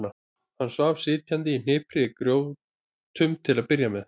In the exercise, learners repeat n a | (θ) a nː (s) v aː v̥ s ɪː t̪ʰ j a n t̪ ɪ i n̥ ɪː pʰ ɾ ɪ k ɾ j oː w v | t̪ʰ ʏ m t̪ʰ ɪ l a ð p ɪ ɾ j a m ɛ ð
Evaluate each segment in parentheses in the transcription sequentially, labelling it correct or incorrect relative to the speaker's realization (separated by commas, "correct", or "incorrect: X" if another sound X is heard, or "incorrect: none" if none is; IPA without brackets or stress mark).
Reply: incorrect: h, correct